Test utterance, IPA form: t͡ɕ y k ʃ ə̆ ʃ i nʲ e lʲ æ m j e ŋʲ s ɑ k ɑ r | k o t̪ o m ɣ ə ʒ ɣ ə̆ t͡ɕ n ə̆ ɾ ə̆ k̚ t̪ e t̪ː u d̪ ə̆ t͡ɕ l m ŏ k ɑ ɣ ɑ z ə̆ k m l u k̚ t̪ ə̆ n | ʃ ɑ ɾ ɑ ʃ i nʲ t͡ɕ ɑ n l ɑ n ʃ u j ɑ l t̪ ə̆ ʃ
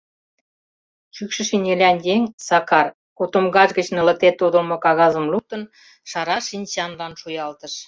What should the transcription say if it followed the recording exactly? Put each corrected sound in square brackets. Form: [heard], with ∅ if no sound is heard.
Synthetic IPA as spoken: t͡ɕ y k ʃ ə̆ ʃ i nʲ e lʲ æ [n] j e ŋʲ s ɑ k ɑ r | k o t̪ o m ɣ [ɑ] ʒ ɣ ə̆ t͡ɕ n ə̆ [l] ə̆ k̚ t̪ e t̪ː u d̪ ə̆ [∅] l m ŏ k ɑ ɣ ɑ z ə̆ [∅] m l u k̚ t̪ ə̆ n | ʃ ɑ ɾ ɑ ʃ i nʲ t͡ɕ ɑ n l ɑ n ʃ u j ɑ l t̪ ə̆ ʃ